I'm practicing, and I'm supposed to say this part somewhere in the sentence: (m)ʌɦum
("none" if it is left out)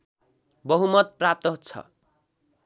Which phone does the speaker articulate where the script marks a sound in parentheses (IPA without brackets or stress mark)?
b